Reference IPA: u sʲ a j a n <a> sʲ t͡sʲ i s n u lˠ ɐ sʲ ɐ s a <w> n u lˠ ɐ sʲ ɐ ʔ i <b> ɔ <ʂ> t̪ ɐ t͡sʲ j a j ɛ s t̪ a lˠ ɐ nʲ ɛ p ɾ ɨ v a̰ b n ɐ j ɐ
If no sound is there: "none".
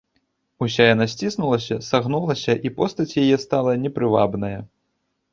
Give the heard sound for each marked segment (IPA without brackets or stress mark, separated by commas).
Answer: a, ɣ, p, s